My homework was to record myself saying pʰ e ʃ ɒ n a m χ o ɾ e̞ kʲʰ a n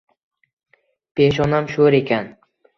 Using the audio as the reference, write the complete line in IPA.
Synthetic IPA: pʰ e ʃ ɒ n a m ʃ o ɾ e̞ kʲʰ a n